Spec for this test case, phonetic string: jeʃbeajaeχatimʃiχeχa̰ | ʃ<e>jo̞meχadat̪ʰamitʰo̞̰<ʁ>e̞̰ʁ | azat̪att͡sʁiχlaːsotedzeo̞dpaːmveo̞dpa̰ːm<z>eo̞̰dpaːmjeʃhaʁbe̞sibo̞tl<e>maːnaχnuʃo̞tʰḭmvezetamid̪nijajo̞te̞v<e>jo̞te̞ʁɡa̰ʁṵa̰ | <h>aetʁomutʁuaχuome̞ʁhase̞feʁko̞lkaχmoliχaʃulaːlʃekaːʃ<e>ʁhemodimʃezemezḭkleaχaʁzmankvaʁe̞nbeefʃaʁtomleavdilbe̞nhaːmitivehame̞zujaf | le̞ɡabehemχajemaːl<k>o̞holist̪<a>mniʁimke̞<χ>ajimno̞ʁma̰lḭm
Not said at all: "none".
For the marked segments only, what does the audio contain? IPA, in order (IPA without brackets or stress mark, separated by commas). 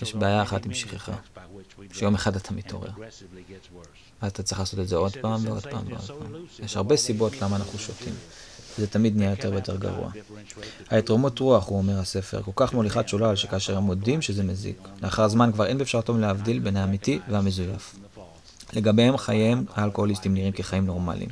e, ʁ, v, a, e, h, e, k, i, χ